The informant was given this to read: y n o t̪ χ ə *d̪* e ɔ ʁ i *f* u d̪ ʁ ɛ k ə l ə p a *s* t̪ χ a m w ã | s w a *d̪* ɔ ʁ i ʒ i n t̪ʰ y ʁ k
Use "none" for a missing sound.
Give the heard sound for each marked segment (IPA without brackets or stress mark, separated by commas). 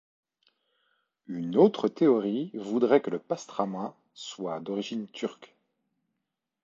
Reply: t̪, v, s, d̪